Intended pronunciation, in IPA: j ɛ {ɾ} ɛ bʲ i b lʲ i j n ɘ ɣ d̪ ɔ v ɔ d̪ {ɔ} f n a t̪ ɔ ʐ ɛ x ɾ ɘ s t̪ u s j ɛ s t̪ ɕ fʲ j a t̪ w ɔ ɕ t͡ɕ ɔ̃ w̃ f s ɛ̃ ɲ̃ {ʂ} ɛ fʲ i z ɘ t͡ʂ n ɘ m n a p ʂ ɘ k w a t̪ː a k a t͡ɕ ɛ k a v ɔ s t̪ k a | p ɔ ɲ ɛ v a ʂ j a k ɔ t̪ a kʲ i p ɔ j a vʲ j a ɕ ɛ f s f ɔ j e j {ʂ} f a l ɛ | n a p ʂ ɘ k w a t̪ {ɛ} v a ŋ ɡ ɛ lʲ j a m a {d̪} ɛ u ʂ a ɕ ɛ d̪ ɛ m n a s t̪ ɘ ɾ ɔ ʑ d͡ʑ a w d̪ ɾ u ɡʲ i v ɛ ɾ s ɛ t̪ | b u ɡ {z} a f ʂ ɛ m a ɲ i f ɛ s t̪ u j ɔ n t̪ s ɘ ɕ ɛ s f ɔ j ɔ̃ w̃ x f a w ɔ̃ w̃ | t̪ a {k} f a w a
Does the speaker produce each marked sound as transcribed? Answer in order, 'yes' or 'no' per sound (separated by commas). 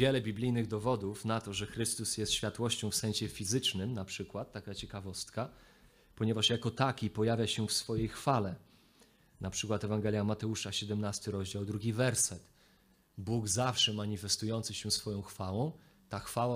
no, no, no, no, yes, no, yes, no